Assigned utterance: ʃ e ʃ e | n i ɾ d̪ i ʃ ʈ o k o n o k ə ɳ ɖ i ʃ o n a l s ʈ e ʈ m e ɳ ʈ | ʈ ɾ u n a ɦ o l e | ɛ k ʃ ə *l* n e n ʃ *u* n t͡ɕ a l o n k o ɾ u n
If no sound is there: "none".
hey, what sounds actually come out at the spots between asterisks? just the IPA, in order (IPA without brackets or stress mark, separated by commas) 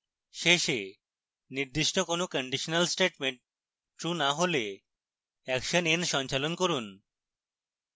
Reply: none, ɔ